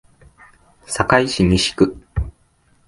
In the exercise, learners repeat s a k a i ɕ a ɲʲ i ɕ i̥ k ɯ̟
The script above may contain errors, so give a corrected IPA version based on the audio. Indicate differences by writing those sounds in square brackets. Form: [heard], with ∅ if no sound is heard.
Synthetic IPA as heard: s a k a i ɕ [i] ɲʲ i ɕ i̥ k ɯ̟